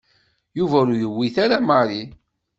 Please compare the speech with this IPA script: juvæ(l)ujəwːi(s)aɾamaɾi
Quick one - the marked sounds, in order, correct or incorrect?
incorrect: ɾ, incorrect: θ

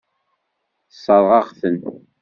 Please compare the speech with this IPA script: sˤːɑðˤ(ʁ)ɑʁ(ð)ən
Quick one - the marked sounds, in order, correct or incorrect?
correct, incorrect: θ

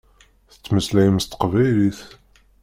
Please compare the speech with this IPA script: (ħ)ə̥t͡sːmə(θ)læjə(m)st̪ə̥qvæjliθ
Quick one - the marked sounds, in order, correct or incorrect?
incorrect: θ, incorrect: s, correct

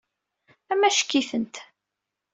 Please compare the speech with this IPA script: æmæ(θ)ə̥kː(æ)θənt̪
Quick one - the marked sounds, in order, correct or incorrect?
incorrect: ʃ, incorrect: i

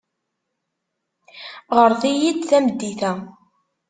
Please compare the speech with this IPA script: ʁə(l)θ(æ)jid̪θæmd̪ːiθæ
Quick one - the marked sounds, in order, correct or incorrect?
incorrect: ɾ, incorrect: i

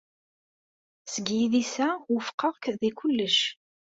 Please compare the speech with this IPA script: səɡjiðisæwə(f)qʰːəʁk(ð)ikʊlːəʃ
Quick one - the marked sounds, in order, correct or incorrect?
correct, correct

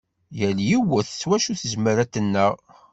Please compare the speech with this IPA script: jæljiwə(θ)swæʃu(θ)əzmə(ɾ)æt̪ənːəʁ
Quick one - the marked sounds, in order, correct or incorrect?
correct, correct, correct

